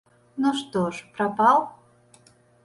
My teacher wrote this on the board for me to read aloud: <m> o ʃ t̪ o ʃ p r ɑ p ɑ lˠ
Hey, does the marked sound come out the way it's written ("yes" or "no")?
no